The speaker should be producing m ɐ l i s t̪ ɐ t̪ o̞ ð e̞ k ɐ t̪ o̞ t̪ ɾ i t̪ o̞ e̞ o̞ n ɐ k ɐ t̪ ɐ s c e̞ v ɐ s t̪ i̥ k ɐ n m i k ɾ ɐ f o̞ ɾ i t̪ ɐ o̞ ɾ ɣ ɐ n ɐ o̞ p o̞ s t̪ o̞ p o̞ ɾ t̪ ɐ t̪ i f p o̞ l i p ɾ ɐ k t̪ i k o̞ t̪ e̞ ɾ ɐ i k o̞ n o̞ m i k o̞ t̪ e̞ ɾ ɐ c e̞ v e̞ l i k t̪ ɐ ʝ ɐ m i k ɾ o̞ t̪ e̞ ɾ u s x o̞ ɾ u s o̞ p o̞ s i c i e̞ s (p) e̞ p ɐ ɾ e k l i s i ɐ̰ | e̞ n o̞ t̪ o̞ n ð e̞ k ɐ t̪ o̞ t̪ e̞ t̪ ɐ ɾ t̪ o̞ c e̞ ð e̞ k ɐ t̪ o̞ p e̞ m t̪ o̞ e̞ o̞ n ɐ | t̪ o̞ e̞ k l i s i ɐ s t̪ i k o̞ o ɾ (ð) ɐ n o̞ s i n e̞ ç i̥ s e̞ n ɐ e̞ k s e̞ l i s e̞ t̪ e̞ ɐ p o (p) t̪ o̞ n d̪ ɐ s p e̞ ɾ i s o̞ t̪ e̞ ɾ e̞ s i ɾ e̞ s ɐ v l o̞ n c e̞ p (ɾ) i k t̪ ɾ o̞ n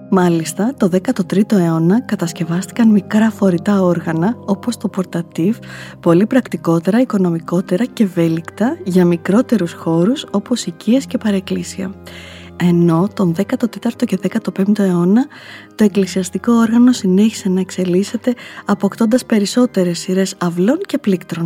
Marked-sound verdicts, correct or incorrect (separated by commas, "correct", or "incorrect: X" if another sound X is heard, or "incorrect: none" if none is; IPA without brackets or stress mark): incorrect: c, incorrect: ɣ, incorrect: k, incorrect: l